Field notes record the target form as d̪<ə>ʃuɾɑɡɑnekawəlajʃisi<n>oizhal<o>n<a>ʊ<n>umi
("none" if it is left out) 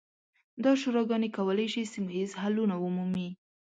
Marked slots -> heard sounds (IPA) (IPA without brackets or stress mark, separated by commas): ɑ, m, u, a, m